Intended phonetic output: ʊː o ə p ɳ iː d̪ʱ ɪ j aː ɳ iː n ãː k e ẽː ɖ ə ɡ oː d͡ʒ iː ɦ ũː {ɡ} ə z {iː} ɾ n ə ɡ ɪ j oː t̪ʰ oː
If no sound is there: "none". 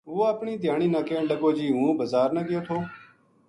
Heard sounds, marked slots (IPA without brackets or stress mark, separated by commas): b, aː